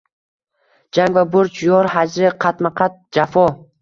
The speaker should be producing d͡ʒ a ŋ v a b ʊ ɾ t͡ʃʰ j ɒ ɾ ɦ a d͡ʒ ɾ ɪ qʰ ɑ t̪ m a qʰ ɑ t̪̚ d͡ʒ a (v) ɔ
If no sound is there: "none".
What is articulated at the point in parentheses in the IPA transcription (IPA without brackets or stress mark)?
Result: f